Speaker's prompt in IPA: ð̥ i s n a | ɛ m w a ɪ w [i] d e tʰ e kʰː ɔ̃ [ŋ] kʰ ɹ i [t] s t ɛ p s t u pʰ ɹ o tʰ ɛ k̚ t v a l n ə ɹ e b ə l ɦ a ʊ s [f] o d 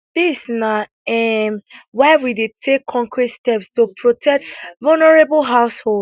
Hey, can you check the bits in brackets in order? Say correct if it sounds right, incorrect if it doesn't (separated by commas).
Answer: correct, correct, correct, incorrect